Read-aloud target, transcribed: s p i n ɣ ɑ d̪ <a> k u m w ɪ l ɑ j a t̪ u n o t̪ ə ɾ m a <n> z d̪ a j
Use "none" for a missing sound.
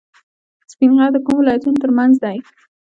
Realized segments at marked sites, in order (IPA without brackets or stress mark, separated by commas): ə, n